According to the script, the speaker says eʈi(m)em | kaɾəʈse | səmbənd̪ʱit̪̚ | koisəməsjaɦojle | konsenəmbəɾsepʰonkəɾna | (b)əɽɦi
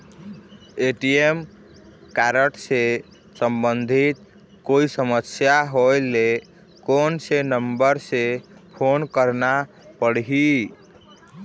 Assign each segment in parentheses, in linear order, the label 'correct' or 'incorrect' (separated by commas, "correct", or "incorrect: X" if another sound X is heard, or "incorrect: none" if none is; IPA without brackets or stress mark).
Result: incorrect: none, incorrect: p